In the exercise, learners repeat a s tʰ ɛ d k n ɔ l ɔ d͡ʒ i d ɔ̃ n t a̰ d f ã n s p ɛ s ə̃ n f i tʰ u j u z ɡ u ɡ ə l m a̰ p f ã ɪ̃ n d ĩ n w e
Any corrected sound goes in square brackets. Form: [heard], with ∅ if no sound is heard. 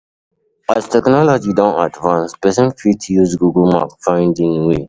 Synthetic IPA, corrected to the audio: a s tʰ ɛ [∅] k n ɔ l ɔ d͡ʒ i d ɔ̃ n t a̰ d [v] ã n s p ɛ s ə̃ n f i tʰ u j u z ɡ u ɡ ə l m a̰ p f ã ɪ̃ n d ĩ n w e